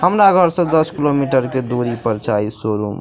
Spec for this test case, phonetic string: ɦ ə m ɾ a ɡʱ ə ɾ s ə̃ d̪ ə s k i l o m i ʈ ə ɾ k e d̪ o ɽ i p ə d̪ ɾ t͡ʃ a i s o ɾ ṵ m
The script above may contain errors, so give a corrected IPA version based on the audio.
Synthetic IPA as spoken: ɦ ə m ɾ a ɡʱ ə ɾ s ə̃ d̪ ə s k i l o m i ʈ ə ɾ k e d̪ o ɾ i p ə ɾ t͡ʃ a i s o ɾ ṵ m